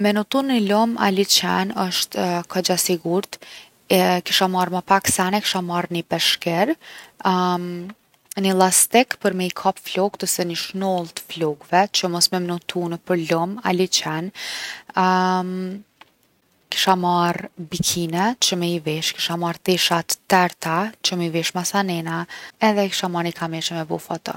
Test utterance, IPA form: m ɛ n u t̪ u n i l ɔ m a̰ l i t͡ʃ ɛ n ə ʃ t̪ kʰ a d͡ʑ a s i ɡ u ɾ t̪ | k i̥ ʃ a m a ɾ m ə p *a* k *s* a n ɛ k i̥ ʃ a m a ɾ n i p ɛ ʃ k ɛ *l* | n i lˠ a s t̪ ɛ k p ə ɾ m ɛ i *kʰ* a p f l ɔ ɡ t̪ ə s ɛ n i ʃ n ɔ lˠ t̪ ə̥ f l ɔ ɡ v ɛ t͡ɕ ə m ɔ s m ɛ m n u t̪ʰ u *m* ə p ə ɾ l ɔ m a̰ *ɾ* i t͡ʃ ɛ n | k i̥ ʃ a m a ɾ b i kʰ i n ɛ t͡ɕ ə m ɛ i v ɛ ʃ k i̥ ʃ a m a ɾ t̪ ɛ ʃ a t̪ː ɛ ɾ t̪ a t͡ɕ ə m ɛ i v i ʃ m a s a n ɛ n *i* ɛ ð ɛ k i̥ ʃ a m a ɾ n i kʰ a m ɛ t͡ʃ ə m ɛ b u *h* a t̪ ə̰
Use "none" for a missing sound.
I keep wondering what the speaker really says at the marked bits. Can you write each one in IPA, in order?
a, s, ɾ, kʰ, n, l, a, f

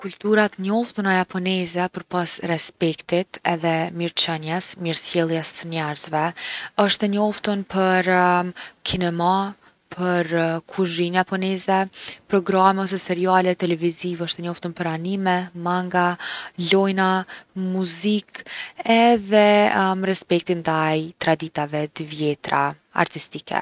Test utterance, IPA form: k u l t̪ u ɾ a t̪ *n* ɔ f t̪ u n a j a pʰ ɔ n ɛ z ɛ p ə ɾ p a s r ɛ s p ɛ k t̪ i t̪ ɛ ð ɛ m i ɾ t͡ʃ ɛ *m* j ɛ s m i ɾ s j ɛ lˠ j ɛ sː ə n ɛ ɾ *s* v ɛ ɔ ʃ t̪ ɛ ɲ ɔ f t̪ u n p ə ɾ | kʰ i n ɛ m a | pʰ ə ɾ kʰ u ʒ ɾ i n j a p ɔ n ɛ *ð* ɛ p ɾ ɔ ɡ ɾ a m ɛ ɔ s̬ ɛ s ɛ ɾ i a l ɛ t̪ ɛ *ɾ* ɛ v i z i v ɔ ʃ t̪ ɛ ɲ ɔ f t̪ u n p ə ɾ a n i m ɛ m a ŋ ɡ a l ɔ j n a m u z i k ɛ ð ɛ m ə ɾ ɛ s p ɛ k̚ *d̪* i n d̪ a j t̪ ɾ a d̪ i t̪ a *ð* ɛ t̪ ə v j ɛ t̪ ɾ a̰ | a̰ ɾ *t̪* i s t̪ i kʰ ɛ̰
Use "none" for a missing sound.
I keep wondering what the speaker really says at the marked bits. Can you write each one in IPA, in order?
ɲ, n, z, z, l, t̪, v, t̪

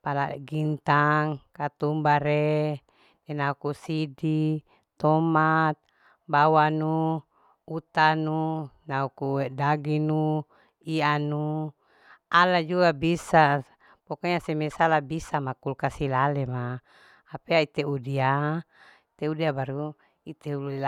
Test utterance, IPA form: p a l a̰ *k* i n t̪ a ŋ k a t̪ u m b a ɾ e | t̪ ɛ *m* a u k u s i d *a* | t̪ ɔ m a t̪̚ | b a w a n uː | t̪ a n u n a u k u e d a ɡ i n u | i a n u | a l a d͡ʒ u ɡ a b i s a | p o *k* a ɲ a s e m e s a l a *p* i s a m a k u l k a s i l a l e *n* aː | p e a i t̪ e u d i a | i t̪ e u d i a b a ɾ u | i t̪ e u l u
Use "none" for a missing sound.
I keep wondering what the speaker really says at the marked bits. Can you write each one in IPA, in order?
ɡ, n, i, k, b, m

